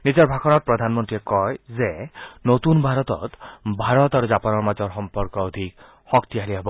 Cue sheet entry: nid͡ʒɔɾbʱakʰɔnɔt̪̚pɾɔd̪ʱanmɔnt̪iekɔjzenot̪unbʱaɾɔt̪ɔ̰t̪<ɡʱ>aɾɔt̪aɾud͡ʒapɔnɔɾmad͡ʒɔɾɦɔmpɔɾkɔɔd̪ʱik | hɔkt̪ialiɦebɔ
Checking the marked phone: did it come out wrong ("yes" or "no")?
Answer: yes